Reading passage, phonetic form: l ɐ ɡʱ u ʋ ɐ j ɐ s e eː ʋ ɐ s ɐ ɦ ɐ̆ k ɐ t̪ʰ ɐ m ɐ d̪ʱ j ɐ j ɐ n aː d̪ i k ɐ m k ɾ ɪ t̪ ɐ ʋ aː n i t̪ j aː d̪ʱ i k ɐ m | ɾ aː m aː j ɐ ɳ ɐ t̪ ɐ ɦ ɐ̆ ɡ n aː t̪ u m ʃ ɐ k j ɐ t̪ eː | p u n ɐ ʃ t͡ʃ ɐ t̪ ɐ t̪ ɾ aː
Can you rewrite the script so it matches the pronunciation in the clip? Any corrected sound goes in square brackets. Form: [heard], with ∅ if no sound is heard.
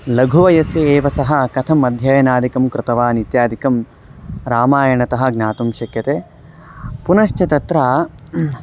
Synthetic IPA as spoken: l ɐ ɡʱ u ʋ ɐ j ɐ s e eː ʋ ɐ s ɐ ɦ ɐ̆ k ɐ t̪ʰ ɐ m ɐ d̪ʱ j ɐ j ɐ n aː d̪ i k ɐ m k ɾ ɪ t̪ ɐ ʋ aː n i t̪ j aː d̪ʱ i k ɐ m | ɾ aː m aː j ɐ ɳ ɐ t̪ ɐ ɦ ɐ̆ ɡ n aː t̪ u m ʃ ɐ k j ɐ t̪ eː | p u n ɐ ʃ t͡ʃ ɐ t̪ ɐ t̪ ɾ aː

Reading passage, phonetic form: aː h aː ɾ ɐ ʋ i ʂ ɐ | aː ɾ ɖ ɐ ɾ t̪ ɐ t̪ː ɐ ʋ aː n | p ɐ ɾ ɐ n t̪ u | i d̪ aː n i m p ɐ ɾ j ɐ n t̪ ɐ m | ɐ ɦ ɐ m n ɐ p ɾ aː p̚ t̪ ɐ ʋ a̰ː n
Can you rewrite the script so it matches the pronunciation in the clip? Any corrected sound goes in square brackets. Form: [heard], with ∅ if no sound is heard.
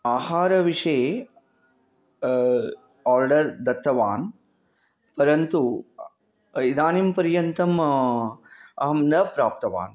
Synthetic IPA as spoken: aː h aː ɾ ɐ ʋ i ʂ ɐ | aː ɾ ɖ ɐ ɾ [d̪] ɐ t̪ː ɐ ʋ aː n | p ɐ ɾ ɐ n t̪ u | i d̪ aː n i m p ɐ ɾ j ɐ n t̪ ɐ m | ɐ ɦ ɐ m n ɐ p ɾ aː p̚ t̪ ɐ ʋ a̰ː n

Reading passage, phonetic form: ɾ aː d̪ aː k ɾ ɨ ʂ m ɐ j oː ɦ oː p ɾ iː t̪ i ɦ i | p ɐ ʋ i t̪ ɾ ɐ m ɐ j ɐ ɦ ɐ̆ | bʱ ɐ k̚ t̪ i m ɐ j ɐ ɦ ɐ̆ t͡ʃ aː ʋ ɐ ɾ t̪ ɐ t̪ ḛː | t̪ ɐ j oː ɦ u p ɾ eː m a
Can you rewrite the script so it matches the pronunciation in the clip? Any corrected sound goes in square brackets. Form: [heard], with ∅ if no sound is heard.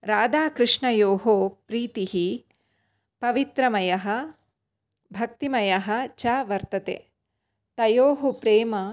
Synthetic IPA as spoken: ɾ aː d̪ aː k ɾ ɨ ʂ [ɳ] ɐ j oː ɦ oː p ɾ iː t̪ i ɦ i | p ɐ ʋ i t̪ ɾ ɐ m ɐ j ɐ ɦ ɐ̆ | bʱ ɐ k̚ t̪ i m ɐ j ɐ ɦ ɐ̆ t͡ʃ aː ʋ ɐ ɾ t̪ ɐ t̪ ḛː | t̪ ɐ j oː ɦ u p ɾ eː m [ɐ]

